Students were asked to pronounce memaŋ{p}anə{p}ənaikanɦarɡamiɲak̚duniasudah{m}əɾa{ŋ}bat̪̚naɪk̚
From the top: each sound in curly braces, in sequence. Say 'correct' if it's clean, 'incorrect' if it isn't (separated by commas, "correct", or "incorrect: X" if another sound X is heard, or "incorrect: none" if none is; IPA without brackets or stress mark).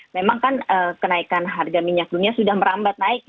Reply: incorrect: k, incorrect: k, correct, incorrect: m